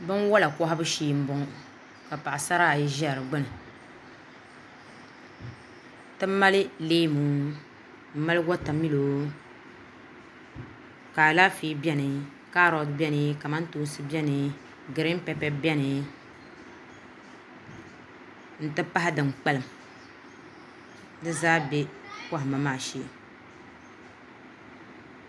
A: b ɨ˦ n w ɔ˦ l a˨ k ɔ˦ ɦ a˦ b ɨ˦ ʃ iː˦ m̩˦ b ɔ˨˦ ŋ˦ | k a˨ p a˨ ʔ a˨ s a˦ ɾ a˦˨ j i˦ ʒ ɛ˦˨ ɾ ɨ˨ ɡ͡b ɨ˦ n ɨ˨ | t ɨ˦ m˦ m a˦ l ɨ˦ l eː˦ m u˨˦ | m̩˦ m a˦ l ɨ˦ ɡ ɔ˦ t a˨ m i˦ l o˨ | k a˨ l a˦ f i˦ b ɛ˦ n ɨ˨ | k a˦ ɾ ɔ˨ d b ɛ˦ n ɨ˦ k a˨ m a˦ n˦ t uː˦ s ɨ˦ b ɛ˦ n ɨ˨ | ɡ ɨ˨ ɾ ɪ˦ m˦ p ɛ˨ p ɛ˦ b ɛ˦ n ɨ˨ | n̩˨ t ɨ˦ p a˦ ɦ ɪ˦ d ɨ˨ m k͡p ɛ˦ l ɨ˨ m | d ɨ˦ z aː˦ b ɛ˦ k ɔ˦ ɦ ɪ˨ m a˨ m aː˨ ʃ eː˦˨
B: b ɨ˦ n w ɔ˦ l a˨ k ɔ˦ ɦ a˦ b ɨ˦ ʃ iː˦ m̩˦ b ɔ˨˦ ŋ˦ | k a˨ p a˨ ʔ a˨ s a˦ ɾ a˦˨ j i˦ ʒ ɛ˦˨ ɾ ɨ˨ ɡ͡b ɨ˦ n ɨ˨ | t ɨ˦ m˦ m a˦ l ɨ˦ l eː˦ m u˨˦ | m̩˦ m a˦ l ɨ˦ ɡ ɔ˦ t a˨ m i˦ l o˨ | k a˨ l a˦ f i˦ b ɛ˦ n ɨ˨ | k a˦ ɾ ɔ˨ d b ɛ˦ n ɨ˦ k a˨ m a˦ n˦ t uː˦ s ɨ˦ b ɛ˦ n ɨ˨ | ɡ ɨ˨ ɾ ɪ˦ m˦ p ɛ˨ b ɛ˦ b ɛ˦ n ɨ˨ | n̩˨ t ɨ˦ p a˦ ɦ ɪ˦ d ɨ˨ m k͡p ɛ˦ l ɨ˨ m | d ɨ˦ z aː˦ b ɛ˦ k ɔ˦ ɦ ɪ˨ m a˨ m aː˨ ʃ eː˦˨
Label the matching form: A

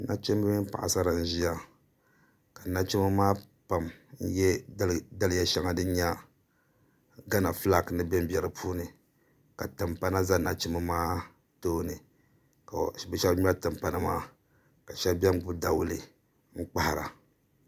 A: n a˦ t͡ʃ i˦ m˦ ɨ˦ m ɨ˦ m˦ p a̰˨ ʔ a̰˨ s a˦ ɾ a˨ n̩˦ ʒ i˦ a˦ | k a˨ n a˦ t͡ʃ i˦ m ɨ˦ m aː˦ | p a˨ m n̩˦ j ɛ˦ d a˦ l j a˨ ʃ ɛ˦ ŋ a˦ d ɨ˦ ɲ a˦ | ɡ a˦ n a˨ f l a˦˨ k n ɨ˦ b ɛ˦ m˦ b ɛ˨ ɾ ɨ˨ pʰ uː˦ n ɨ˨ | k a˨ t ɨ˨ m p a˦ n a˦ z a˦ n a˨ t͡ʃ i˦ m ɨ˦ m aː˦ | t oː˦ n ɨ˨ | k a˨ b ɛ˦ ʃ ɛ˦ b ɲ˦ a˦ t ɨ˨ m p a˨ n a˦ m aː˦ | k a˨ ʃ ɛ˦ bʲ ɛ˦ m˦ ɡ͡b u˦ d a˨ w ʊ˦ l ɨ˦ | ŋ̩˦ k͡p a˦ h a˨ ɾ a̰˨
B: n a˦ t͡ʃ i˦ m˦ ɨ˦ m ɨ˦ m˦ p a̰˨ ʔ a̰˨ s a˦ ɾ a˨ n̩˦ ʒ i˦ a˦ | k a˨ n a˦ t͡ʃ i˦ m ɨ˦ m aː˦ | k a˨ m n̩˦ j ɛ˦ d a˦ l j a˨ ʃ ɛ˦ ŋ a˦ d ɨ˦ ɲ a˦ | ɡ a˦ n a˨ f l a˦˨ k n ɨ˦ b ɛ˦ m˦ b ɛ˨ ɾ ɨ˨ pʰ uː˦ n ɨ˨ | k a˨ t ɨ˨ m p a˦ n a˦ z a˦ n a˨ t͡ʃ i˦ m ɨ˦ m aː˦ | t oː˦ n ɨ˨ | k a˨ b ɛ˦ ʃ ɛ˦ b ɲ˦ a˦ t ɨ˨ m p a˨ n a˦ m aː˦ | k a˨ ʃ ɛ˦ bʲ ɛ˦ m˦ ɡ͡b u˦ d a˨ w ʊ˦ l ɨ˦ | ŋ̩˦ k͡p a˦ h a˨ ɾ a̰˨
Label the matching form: A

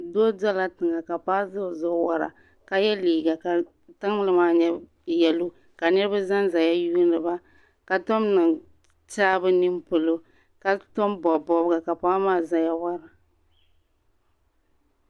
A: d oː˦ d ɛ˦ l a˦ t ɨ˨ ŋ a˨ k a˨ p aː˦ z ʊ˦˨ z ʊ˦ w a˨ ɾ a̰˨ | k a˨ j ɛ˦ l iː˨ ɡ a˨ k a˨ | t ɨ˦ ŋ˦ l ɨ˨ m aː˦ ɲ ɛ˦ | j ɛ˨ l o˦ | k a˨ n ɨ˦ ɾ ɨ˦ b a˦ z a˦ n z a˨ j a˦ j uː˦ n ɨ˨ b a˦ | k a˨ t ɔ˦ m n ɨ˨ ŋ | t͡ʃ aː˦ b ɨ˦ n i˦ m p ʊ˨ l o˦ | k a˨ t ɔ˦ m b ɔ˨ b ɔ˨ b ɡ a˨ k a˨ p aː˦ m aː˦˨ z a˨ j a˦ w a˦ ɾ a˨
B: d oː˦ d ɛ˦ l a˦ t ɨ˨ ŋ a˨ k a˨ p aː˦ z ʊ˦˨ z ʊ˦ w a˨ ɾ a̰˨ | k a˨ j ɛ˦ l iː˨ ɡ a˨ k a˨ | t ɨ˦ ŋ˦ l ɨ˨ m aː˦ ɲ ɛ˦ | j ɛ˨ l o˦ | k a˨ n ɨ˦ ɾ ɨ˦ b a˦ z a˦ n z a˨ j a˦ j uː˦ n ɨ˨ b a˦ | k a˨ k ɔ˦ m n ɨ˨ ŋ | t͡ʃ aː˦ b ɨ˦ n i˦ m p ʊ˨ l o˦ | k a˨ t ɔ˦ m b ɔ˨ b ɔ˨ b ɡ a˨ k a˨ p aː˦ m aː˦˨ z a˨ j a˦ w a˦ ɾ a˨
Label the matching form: A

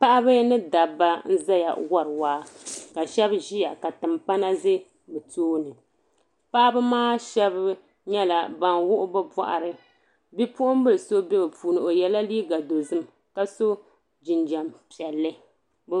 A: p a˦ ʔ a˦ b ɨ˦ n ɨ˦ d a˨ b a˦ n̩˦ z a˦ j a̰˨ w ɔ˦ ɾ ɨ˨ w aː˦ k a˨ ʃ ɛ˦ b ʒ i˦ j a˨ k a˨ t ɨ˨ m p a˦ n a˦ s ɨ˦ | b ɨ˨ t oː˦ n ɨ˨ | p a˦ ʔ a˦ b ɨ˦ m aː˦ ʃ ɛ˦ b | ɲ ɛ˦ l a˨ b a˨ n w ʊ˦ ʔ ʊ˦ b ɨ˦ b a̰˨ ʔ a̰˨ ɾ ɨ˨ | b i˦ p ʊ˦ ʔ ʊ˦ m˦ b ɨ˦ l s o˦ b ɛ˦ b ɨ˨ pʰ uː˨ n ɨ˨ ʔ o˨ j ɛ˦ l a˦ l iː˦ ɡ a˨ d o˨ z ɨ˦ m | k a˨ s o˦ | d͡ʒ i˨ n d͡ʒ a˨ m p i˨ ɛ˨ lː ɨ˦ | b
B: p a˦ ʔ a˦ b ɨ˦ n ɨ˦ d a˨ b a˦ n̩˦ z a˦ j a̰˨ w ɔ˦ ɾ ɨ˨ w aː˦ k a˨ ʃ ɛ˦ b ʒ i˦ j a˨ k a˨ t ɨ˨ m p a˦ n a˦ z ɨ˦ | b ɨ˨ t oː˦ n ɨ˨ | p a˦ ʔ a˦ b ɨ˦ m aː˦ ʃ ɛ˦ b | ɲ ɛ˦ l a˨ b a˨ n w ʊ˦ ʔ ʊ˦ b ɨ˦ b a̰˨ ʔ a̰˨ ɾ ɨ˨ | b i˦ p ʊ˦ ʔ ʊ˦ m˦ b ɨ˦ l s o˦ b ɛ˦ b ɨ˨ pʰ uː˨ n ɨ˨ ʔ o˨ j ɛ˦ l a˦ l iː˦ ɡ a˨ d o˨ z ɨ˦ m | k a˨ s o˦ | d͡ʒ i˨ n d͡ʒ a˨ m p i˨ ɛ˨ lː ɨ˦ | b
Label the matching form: B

